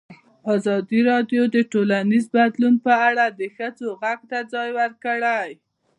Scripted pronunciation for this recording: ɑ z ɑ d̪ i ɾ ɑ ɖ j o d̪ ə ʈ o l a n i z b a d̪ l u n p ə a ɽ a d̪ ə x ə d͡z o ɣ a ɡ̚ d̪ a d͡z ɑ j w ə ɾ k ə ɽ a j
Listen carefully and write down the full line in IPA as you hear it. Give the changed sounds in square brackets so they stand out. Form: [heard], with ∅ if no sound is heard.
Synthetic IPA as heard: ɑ z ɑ d̪ i ɾ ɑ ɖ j o d̪ ə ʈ o l a n i z b a d̪ l u n p ə a ɽ a d̪ ə x ə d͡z o ɣ a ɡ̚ [t̪] a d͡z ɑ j w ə ɾ k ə ɽ a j

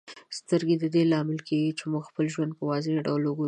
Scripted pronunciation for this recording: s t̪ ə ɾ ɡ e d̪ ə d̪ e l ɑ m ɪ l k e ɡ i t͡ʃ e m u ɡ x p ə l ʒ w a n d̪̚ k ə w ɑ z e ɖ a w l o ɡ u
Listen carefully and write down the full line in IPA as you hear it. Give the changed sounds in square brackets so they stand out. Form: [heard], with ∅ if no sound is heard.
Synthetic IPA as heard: s t̪ ə ɾ ɡ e d̪ ə d̪ e l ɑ m ɪ l k e ɡ i t͡ʃ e m u ɡ x p ə l ʒ w a n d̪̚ [p] ə w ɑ z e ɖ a w l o ɡ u

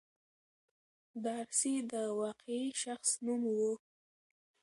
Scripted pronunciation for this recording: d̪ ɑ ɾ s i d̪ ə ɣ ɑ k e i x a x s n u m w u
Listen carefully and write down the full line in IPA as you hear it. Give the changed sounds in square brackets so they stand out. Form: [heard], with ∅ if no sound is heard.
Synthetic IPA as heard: d̪ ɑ ɾ s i d̪ ə [w] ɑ [q] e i [ʃ] a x s n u m w u

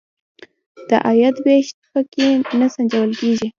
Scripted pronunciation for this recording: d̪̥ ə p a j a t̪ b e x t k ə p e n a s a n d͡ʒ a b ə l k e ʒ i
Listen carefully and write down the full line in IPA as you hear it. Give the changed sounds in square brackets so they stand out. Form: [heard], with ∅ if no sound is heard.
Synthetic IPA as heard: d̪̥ ə [ʔ] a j a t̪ b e [ʃ] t [p] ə [k] e n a s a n d͡ʒ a [w] ə l k e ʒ i

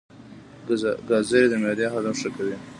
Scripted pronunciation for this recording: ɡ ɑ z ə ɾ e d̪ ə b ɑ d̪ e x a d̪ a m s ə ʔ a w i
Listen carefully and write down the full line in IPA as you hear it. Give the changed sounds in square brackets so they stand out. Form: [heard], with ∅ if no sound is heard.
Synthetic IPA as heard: ɡ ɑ z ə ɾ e d̪ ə [m] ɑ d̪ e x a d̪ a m [ʂ] ə [k] a w i

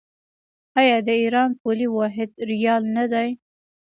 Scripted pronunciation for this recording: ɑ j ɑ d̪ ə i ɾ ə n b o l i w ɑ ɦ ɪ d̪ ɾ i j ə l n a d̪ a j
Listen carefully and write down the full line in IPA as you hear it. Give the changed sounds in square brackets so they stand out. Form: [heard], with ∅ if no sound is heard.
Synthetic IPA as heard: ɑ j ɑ d̪ ə i ɾ [ɑ] n [p] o l i w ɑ ɦ ɪ d̪ ɾ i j [ɑ] l n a d̪ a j

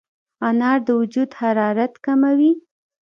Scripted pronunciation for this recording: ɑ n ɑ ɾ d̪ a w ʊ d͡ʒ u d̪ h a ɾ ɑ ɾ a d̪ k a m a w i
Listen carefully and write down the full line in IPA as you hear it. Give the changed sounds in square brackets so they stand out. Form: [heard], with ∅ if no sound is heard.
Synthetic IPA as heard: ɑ n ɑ ɾ d̪ [ə] w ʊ d͡ʒ u d̪ h a ɾ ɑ ɾ a [t̪] k a m a w i

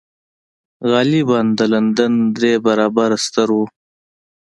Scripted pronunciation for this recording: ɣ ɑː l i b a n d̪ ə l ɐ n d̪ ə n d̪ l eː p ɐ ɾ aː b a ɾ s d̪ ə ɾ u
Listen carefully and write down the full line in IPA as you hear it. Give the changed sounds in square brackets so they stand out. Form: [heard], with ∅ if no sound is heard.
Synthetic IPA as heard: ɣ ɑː l i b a n d̪ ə l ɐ n d̪ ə n d̪ [ɾ] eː [b] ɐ ɾ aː b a ɾ s [t̪] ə ɾ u

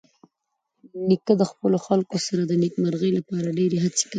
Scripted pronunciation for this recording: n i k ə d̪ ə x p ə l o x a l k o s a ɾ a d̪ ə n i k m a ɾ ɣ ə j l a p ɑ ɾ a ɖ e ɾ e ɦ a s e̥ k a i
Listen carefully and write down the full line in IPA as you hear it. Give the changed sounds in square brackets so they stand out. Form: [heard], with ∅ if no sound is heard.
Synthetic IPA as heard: n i k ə d̪ ə x p ə l o x a l k o s a ɾ a d̪ ə n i k m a ɾ ɣ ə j l a p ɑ ɾ a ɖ e ɾ e ɦ a [t͡s] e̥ k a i

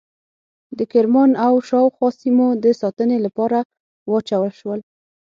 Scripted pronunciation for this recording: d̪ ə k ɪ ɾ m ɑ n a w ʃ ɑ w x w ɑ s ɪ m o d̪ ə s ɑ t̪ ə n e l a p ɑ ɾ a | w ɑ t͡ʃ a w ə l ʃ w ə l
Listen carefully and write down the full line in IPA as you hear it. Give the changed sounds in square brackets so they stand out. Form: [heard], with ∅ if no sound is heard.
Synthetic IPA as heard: d̪ ə k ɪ ɾ m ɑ n a w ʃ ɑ w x w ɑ s [i] m o d̪ ə s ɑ t̪ ə n e l a p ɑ ɾ a | w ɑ t͡ʃ a w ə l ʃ w ə l

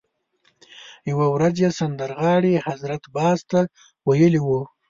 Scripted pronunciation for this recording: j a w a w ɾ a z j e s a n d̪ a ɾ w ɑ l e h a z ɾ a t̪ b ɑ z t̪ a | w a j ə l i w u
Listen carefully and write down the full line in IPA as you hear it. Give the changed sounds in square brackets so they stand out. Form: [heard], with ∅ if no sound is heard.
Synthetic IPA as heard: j a w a w ɾ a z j e s a n d̪ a ɾ [ɣ] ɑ [ɽ] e h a z ɾ a t̪ b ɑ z t̪ a | w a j ə l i w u

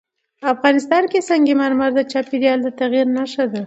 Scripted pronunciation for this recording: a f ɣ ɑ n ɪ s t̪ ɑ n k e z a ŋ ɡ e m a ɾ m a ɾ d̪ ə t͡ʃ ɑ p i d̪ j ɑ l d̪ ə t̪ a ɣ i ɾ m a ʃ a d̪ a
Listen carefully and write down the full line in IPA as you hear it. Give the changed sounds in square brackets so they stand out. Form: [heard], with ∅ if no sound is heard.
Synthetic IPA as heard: a f ɣ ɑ n ɪ s t̪ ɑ n k e [s] a ŋ ɡ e m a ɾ m a ɾ d̪ ə t͡ʃ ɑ p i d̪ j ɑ l d̪ ə t̪ a ɣ i ɾ [n] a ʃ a d̪ a

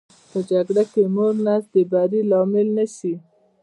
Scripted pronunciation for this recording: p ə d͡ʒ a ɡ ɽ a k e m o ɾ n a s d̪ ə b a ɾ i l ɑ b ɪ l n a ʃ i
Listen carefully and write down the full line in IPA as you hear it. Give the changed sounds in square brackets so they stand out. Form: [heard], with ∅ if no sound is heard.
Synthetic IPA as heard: p ə d͡ʒ a ɡ ɽ a k e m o ɾ n a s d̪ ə b a ɾ i l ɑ [m] ɪ l n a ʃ i

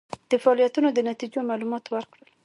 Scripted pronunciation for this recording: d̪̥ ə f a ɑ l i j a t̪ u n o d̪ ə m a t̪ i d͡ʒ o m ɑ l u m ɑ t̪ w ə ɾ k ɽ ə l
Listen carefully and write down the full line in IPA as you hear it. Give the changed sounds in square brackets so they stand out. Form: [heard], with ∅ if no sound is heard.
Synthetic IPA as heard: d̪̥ ə f a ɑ l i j a t̪ u n o d̪ ə [n] a t̪ i d͡ʒ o m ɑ l u m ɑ t̪ w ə ɾ k ɽ ə l

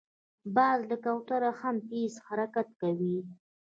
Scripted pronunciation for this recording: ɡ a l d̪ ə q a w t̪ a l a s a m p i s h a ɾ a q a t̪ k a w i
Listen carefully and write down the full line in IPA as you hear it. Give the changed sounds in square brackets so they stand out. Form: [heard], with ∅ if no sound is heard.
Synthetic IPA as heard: [b] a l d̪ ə [k] a w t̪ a [ɾ] a [x] a m p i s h a ɾ a [k] a t̪ k a w i

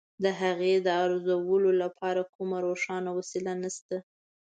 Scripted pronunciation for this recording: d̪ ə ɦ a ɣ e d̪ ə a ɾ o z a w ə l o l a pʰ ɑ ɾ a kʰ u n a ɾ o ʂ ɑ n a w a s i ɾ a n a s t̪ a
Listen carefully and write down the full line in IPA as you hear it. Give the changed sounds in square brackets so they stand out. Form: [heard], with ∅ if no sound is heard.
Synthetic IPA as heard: d̪ ə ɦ a ɣ e d̪ ə a ɾ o z a w ə l o l a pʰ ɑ ɾ a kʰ u [m] a ɾ o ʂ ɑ n a w a s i [l] a n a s t̪ a

